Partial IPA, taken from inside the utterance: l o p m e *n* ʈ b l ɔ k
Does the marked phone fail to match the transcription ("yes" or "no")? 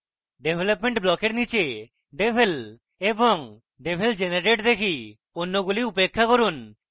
yes